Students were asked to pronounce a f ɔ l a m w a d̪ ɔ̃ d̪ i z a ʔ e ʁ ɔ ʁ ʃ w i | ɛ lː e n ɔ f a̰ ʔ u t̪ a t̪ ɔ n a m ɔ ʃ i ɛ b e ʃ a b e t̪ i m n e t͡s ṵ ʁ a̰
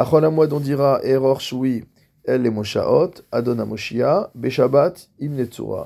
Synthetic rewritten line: a χ ɔ l a m w a d̪ ɔ̃ d̪ i ʁ a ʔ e ʁ ɔ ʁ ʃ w i | ɛ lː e m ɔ ʃ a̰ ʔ ɔ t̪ a d̪ ɔ n a m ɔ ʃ i a b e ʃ a b a t̪ i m n e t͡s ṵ ʁ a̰